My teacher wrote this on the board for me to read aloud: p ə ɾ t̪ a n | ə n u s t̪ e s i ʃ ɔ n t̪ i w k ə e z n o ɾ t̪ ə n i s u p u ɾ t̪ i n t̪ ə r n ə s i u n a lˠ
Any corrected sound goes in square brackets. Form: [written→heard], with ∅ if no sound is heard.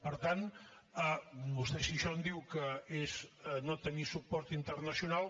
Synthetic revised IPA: p ə ɾ t̪ a n | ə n u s t̪ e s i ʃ ɔ n [t̪→d̪] i w k ə e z n o [ɾ→∅] t̪ ə n i s u p [u→ɔ] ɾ t̪ i n t̪ ə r n ə s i u n a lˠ